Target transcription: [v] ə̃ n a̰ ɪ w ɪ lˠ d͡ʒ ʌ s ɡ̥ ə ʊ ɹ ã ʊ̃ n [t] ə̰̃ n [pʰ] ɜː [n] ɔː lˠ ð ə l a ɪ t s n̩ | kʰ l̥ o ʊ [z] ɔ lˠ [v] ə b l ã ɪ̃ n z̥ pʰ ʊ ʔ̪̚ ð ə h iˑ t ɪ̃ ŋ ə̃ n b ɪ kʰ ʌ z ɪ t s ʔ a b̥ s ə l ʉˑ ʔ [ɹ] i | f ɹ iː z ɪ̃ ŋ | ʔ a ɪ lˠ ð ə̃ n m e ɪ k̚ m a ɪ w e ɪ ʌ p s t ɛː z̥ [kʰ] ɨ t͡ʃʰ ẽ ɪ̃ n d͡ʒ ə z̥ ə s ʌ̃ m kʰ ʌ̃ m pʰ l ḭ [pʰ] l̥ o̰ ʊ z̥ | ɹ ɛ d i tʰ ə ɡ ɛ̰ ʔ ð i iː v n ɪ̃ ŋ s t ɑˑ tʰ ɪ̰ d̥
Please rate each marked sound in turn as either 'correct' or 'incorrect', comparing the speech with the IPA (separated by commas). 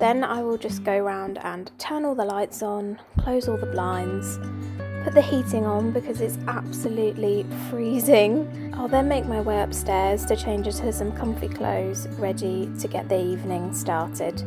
incorrect, incorrect, incorrect, correct, correct, incorrect, incorrect, incorrect, incorrect